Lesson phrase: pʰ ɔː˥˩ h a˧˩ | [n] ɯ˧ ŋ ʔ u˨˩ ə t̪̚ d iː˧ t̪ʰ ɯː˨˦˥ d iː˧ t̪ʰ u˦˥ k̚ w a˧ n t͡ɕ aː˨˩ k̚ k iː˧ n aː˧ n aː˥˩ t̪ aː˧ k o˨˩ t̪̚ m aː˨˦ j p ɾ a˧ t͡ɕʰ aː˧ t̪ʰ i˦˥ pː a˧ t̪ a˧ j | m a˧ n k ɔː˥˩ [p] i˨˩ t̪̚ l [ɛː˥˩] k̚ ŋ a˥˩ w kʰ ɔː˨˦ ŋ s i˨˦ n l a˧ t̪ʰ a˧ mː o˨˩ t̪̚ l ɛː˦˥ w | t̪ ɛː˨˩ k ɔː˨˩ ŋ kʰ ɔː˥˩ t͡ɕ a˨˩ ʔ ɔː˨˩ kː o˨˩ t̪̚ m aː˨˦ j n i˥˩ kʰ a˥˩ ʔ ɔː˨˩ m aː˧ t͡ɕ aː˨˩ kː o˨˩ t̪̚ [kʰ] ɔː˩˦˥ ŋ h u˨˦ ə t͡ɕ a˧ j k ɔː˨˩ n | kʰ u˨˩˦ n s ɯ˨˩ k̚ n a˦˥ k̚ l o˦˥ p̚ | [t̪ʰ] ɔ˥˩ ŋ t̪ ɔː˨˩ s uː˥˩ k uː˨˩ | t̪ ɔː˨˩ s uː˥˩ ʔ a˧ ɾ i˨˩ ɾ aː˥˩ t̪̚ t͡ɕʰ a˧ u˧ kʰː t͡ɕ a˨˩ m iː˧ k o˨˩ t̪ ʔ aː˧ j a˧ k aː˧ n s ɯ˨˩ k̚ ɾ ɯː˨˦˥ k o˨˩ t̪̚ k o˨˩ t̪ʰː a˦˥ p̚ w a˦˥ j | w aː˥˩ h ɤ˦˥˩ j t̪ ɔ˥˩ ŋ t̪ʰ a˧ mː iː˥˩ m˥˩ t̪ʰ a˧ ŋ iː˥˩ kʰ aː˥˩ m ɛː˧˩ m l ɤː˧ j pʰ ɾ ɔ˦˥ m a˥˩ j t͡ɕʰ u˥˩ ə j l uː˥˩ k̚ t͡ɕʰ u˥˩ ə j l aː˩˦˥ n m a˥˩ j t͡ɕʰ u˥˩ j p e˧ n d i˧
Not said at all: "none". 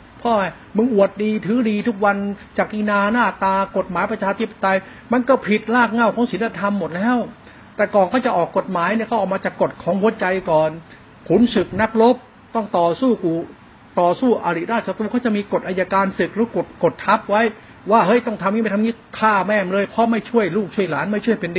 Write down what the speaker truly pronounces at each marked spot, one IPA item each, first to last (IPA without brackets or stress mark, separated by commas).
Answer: m, pʰ, aː˥˩, kʰ, t̪